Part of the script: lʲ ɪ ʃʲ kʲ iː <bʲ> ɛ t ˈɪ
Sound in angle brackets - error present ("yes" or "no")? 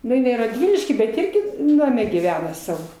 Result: no